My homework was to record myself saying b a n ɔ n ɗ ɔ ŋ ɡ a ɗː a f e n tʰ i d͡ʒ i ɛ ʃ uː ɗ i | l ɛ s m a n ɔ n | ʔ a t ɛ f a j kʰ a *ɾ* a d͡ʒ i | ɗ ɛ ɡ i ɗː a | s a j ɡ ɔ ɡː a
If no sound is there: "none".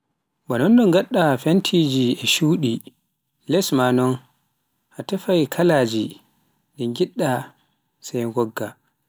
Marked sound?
l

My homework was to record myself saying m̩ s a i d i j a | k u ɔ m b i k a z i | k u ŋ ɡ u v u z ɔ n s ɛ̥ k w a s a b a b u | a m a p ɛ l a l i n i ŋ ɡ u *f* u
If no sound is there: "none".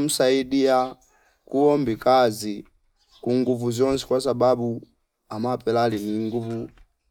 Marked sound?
v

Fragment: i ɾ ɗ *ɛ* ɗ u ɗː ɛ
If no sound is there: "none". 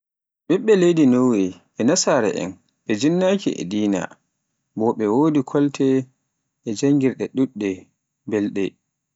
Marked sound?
ɛ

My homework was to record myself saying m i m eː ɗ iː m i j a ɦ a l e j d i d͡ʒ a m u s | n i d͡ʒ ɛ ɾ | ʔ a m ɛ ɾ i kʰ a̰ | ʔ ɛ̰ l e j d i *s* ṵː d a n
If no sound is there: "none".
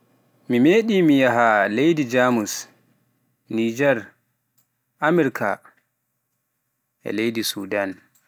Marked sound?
s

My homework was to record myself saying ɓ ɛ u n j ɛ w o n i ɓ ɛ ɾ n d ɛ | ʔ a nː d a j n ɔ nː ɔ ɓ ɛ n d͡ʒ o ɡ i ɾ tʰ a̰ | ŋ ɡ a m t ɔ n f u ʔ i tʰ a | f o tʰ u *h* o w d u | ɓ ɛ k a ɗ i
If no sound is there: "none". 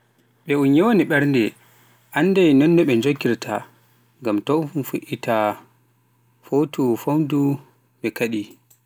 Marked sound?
f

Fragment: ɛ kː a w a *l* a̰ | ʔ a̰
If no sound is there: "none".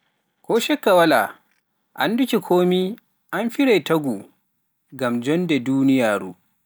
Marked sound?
l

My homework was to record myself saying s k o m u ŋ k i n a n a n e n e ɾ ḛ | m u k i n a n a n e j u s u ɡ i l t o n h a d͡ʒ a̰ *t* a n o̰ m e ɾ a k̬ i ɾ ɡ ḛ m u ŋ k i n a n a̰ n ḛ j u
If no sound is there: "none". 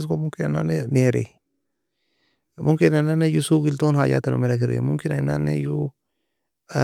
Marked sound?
t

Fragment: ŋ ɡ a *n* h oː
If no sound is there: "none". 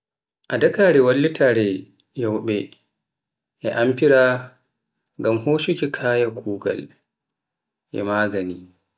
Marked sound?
m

